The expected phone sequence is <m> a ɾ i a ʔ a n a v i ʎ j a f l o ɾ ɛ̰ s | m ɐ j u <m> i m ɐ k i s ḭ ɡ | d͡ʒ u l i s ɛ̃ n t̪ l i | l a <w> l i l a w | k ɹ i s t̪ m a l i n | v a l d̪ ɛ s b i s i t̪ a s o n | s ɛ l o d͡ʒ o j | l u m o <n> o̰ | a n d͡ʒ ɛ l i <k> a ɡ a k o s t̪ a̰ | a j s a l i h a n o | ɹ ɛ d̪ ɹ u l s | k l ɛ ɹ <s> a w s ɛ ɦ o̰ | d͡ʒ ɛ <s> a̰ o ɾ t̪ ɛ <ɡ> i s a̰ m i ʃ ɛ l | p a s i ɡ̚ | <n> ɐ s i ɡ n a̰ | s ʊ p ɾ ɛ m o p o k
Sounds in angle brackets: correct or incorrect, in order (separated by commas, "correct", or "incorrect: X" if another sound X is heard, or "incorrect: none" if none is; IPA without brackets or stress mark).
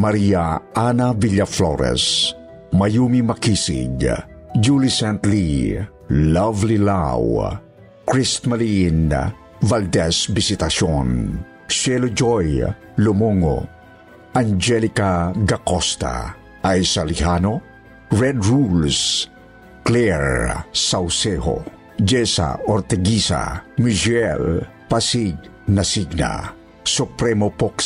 correct, correct, incorrect: v, incorrect: ŋ, correct, correct, correct, correct, correct